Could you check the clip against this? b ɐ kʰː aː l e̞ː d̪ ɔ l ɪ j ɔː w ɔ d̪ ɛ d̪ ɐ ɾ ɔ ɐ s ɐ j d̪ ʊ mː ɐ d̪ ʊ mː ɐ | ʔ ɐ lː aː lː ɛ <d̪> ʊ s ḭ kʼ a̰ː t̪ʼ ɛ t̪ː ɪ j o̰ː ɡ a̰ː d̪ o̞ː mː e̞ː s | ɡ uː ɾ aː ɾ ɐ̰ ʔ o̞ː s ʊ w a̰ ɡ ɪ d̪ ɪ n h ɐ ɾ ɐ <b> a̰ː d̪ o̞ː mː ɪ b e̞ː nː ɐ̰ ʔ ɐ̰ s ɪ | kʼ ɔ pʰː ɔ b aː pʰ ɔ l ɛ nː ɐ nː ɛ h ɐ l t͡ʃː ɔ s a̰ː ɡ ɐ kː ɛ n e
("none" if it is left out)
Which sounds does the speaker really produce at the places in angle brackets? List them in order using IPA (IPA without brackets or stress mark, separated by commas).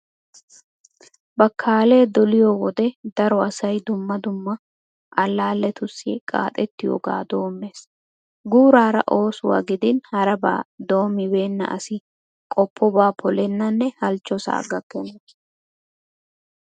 t̪, b